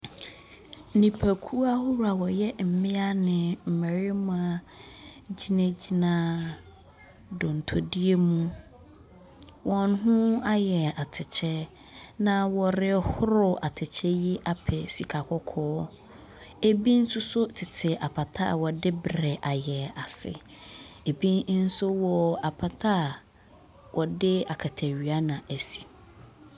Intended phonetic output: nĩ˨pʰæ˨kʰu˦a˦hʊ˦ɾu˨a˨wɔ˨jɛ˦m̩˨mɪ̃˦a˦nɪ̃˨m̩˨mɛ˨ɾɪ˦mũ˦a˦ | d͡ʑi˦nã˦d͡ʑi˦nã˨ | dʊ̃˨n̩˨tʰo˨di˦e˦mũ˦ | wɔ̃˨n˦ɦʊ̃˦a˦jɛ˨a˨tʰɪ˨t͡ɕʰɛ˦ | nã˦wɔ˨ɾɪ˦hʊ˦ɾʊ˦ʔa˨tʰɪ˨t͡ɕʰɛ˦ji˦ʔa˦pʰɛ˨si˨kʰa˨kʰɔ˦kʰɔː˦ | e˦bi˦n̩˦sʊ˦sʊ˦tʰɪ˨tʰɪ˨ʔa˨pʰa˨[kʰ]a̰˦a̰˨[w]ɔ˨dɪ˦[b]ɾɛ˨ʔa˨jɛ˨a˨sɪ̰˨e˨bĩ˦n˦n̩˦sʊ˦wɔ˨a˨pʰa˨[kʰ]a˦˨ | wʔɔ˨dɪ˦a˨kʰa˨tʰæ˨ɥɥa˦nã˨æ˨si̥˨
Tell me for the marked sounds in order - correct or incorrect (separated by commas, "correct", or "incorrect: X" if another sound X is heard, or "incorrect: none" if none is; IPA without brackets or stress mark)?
incorrect: tʰ, correct, correct, incorrect: tʰ